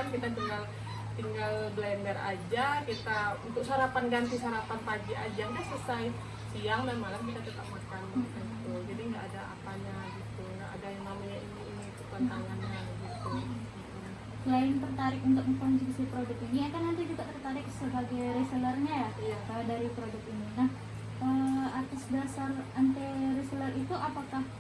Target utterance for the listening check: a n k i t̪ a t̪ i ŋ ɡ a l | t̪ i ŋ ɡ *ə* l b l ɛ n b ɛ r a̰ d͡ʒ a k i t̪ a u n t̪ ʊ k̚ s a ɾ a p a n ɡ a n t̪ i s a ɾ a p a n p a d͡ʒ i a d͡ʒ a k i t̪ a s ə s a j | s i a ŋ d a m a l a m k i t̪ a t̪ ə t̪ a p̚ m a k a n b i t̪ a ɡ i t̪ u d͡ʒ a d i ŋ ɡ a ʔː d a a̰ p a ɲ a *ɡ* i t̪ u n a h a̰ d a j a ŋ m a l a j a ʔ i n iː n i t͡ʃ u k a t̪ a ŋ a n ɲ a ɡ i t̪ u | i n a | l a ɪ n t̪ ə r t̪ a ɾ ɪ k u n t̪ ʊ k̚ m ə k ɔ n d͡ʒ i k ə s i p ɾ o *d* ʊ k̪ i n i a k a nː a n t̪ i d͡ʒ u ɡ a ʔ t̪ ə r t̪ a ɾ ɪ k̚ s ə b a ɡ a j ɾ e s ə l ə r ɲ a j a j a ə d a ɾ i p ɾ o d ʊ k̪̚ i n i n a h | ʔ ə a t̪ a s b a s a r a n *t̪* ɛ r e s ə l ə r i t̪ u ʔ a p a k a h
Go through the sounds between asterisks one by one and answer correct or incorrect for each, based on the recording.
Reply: incorrect: a, correct, correct, correct

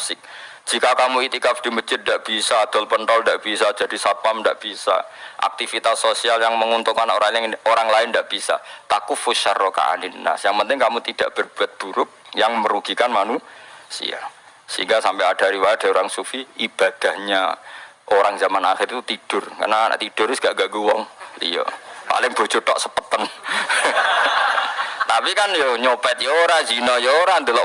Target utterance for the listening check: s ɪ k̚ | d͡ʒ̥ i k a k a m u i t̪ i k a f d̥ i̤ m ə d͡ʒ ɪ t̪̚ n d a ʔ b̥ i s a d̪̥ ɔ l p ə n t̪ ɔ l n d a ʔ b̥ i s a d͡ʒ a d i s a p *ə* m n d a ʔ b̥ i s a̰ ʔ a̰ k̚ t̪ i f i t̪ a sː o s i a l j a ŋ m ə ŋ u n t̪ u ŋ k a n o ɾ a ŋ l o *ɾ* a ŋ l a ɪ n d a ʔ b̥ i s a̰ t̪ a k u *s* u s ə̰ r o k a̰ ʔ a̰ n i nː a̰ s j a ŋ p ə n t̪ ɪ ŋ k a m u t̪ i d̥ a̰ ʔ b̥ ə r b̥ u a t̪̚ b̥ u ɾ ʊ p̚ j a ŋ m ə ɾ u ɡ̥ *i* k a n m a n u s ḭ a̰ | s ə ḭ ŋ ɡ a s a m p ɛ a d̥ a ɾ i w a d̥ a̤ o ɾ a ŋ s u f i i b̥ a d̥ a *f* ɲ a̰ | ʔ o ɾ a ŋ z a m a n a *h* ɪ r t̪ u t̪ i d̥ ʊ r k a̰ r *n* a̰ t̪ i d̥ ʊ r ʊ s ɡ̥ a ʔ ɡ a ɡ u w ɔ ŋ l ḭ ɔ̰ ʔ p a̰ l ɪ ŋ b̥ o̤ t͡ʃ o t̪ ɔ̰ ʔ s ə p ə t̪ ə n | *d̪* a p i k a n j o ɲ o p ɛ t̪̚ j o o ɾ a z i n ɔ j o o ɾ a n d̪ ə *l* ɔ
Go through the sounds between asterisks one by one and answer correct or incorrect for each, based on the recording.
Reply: incorrect: a, correct, incorrect: f, correct, incorrect: h, incorrect: x, correct, incorrect: t̪, correct

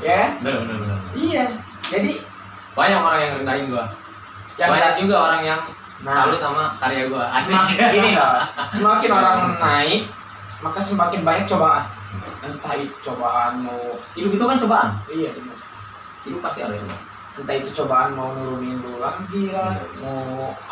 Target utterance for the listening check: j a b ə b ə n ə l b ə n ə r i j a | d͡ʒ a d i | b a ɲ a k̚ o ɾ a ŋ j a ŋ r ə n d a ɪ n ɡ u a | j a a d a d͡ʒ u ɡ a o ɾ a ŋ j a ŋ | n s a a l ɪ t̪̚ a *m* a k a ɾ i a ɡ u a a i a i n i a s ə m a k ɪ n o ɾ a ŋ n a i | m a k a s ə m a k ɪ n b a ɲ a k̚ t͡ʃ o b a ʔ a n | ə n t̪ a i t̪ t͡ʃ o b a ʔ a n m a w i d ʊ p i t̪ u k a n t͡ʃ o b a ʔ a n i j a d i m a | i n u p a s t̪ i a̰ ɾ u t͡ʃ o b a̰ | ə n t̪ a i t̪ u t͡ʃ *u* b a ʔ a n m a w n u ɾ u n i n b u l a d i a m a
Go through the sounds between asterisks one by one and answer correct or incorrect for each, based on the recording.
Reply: correct, incorrect: o

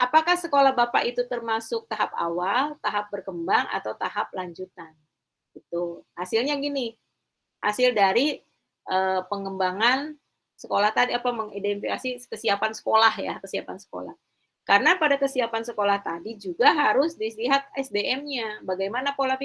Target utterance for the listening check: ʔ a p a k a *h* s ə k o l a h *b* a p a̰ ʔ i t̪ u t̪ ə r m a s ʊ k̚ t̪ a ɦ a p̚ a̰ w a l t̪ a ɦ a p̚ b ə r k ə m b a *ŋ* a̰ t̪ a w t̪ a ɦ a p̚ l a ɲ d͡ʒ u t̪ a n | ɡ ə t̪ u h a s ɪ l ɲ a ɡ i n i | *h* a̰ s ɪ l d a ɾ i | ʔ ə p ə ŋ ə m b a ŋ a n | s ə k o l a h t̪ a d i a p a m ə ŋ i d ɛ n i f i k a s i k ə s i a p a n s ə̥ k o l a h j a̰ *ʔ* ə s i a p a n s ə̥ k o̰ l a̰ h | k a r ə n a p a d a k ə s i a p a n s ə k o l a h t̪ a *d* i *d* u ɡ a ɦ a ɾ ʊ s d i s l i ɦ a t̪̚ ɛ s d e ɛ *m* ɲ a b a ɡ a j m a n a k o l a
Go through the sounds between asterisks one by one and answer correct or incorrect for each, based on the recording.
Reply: correct, correct, correct, correct, incorrect: k, correct, incorrect: d͡ʒ, correct

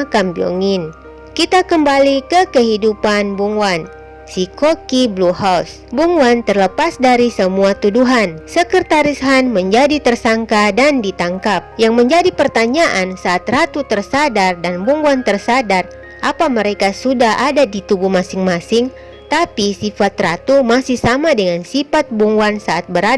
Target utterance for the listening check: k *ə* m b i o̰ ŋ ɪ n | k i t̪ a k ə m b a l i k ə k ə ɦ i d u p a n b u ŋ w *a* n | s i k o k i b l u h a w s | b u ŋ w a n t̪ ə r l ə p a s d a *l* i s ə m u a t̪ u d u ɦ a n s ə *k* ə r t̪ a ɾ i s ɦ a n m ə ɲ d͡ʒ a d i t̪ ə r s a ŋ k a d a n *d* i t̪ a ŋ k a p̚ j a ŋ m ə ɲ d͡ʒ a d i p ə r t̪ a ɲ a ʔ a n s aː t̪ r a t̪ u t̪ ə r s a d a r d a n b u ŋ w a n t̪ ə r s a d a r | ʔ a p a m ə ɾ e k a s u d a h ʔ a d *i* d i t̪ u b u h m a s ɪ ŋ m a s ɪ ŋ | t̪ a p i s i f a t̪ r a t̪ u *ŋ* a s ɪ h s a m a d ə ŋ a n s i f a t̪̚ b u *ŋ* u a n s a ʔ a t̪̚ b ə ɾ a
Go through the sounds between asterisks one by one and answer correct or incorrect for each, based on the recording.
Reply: incorrect: a, correct, incorrect: ɾ, correct, correct, incorrect: a, incorrect: m, correct

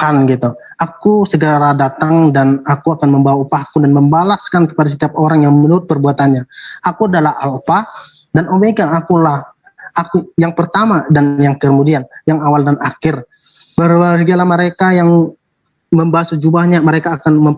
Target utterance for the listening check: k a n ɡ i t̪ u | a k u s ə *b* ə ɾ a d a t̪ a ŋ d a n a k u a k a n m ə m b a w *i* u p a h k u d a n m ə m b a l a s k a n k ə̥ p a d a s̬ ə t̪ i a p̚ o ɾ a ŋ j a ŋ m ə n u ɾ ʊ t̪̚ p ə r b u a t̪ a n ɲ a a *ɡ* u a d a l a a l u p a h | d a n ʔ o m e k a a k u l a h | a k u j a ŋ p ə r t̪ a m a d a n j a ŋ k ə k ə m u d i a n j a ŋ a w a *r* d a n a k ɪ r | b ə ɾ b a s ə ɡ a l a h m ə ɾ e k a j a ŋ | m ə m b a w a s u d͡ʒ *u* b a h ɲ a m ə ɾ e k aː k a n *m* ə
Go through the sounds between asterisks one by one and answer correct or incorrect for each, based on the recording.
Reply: incorrect: ɡ, incorrect: a, incorrect: k, incorrect: l, correct, correct

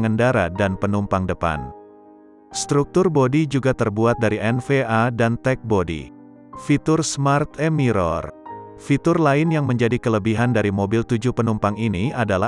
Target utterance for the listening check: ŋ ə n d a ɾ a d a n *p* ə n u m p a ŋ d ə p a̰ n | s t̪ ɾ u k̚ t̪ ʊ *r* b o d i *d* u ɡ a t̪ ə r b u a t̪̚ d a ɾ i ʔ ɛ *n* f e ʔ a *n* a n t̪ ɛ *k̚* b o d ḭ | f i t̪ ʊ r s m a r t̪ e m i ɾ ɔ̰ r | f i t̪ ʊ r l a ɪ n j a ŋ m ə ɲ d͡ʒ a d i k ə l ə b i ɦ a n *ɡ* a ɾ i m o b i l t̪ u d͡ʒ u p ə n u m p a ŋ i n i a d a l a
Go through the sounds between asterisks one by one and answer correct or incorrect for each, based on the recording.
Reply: correct, correct, incorrect: d͡ʒ, correct, incorrect: d, correct, incorrect: d

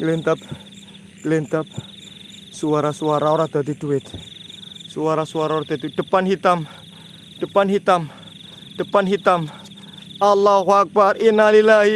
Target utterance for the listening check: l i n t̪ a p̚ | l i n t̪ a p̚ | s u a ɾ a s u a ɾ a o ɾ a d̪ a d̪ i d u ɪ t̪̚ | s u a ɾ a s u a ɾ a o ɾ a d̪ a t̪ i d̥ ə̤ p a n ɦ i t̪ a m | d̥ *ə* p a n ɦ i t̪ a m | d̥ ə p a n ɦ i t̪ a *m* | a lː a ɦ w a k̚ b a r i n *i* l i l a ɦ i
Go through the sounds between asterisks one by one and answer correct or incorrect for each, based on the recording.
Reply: correct, correct, incorrect: a

